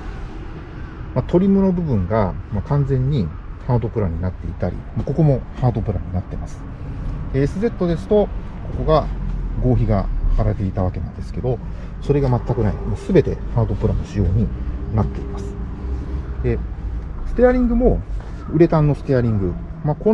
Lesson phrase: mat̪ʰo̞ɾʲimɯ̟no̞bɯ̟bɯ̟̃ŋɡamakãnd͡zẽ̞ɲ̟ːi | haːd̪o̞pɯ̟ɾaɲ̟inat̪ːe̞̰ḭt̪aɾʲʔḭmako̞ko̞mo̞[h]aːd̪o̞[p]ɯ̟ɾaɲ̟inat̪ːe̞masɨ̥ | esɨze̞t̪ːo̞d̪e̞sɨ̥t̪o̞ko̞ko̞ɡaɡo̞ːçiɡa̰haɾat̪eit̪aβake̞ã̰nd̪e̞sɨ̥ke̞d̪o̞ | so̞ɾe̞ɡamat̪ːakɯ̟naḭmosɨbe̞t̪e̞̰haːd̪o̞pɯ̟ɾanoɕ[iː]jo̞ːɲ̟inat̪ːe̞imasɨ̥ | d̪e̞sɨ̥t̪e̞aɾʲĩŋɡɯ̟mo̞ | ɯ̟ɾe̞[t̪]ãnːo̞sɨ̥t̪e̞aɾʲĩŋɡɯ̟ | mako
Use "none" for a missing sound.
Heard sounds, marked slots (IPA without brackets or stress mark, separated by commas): h, p, i, t̪